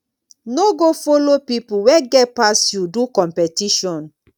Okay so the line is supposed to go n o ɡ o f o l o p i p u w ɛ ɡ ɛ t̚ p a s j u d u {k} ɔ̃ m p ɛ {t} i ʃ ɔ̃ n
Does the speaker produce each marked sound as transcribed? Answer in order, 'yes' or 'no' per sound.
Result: yes, yes

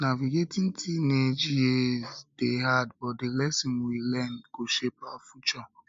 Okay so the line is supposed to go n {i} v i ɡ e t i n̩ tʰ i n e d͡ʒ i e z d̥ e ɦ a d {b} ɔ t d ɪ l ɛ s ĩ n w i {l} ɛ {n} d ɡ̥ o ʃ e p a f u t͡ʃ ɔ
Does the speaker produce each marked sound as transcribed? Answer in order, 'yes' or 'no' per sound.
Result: no, yes, yes, yes

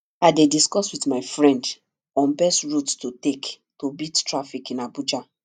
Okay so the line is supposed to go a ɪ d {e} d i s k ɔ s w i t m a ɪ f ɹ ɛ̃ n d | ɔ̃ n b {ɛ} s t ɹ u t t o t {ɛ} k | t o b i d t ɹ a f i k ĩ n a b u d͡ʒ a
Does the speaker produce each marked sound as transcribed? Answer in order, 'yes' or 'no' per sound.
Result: yes, yes, no

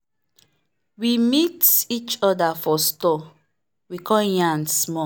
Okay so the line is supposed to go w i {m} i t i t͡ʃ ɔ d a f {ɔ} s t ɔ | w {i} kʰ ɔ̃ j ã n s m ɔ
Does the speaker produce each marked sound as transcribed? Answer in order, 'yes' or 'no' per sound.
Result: yes, yes, yes

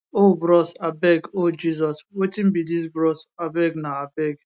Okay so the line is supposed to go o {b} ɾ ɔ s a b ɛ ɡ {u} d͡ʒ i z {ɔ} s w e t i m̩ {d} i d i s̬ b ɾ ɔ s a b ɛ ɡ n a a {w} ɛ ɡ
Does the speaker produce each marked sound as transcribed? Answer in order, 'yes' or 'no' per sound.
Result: yes, no, yes, no, no

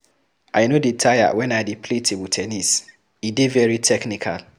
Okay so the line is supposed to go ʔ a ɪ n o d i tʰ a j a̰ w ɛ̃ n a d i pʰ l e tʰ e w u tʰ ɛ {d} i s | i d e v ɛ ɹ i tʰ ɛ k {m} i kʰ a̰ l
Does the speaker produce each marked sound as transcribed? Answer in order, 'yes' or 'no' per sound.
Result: no, no

